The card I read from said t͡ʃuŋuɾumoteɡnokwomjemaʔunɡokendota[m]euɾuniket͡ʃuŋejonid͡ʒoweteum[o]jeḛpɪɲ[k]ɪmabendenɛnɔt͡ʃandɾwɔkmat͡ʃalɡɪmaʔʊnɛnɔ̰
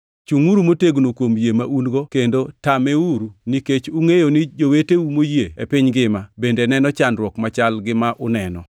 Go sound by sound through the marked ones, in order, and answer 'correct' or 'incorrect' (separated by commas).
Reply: correct, correct, incorrect